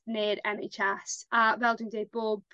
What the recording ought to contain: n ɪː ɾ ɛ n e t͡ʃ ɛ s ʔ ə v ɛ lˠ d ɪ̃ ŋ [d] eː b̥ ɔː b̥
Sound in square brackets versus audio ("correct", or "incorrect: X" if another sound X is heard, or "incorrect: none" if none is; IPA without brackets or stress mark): correct